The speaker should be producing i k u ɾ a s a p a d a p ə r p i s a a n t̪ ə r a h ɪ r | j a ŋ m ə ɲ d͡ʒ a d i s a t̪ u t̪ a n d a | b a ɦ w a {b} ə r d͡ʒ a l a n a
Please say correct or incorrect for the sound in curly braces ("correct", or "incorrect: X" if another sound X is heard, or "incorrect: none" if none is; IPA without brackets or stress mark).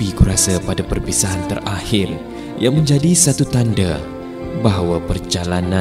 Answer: incorrect: p